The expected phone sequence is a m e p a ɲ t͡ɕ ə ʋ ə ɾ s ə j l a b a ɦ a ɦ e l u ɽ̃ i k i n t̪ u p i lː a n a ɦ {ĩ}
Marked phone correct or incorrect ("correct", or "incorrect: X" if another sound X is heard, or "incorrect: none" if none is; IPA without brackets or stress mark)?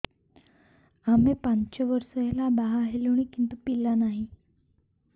incorrect: i